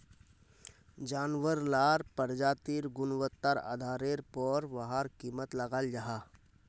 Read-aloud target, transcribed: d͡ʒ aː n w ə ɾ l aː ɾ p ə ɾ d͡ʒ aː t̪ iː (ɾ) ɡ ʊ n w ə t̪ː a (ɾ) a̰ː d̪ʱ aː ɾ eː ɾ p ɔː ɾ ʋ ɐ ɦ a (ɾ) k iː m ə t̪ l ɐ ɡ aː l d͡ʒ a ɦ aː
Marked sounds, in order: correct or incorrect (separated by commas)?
correct, correct, correct